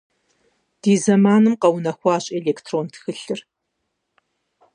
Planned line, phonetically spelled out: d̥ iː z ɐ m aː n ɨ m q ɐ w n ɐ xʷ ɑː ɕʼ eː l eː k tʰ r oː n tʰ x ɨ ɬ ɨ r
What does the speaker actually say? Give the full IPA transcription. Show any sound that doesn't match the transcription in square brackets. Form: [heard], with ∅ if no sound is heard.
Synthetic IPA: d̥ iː z ɐ m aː n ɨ m q ɐ w n ɐ xʷ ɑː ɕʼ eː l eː k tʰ r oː n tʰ x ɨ ɬ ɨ r